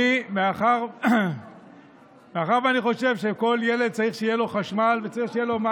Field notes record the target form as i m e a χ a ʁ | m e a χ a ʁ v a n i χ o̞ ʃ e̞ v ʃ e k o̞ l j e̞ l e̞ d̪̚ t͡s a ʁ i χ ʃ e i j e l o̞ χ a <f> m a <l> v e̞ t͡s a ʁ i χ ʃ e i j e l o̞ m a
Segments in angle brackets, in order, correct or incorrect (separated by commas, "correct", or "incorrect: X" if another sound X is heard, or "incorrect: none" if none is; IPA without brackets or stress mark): incorrect: ʃ, correct